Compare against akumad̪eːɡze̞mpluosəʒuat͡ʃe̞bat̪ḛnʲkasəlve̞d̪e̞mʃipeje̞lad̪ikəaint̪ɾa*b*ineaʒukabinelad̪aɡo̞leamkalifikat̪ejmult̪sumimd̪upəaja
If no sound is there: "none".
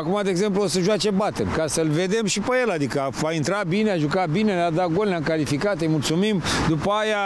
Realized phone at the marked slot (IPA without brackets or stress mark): b